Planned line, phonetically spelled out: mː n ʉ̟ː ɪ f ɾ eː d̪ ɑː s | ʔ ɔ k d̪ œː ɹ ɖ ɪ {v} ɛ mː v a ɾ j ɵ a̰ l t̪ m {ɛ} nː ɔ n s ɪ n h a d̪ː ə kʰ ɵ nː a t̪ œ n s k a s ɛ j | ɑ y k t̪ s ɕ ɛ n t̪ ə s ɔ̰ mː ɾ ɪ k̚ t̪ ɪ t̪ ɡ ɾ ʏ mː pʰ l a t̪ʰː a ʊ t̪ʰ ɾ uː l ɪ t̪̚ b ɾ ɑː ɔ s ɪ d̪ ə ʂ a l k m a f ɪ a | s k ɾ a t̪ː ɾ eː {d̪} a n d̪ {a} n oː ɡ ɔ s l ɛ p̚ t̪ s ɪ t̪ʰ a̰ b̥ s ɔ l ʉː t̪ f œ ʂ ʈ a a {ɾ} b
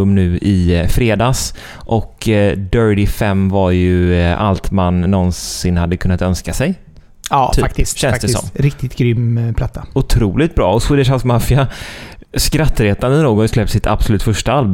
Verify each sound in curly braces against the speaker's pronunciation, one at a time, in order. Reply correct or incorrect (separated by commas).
incorrect, incorrect, incorrect, incorrect, incorrect